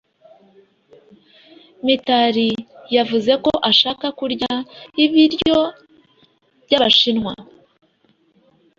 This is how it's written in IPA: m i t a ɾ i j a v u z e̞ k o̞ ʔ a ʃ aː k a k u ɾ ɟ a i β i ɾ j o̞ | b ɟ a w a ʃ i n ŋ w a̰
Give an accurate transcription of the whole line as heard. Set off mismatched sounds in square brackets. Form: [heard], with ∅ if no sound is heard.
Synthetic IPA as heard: m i t a ɾ i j a v u z e̞ k o̞ ʔ a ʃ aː k a k u ɾ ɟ a i β i ɾ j o̞ | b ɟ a [β] a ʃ i n ŋ w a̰